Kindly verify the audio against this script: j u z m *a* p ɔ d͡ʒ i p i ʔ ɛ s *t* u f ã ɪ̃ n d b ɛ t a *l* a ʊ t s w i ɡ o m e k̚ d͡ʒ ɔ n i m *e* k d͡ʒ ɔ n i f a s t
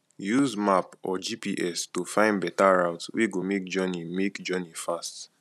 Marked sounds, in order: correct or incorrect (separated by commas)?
correct, correct, incorrect, correct